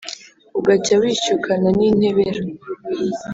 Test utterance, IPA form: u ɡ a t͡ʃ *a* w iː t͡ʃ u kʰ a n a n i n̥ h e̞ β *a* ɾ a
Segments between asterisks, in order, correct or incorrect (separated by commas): correct, incorrect